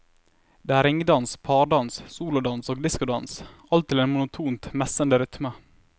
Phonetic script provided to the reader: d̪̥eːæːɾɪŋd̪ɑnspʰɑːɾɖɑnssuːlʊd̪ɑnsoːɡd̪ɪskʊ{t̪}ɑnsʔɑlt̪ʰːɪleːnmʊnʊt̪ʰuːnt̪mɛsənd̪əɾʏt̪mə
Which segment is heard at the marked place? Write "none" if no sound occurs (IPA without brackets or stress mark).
d̪